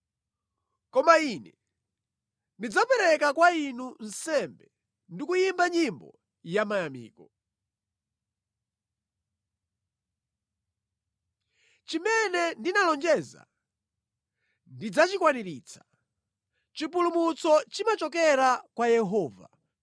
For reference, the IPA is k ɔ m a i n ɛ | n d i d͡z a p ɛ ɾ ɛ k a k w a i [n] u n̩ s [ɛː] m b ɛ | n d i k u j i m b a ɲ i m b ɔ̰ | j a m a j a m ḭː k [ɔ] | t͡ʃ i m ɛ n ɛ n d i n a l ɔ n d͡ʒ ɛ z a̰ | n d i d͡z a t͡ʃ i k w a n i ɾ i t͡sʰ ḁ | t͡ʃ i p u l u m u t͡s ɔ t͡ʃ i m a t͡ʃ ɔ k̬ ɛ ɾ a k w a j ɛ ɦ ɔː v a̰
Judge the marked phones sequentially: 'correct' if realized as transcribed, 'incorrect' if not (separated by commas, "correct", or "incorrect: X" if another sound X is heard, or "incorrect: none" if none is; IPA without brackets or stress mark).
correct, incorrect: ɛ, correct